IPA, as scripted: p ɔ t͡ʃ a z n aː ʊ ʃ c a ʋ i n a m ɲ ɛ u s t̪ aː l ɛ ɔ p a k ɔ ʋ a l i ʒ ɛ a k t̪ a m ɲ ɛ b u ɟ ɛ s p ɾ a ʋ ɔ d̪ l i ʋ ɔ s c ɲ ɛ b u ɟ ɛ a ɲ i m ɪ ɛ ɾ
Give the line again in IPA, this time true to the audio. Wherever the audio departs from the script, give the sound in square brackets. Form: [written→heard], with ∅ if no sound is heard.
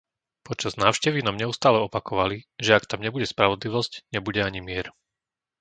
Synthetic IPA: p ɔ t͡ʃ a z n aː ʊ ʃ c [a→ɛ] ʋ i n a m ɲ ɛ u s t̪ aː l ɛ ɔ p a k ɔ ʋ a l i ʒ ɛ a k t̪ a m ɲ ɛ b u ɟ ɛ s p ɾ a ʋ ɔ d̪ l i ʋ ɔ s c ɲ ɛ b u ɟ ɛ a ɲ i m ɪ ɛ ɾ